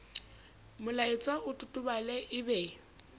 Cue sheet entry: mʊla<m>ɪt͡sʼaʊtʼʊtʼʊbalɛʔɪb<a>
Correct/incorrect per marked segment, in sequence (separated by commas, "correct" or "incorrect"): incorrect, incorrect